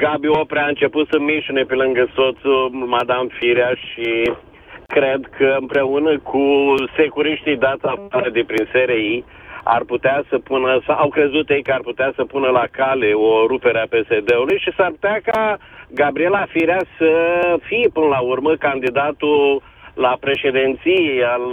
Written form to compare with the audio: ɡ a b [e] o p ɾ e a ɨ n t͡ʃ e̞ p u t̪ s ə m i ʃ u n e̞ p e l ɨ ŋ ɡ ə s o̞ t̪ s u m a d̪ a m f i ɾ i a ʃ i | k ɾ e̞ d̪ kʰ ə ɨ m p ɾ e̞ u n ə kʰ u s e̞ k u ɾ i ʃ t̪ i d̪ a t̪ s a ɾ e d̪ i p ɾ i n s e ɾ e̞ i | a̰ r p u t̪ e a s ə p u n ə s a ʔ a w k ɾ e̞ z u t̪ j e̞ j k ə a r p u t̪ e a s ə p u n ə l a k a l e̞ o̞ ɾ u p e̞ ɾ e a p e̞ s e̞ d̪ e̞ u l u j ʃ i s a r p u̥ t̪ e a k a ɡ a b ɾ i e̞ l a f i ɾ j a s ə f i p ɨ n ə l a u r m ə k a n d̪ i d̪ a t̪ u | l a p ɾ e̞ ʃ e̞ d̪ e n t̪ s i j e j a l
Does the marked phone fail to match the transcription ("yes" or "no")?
yes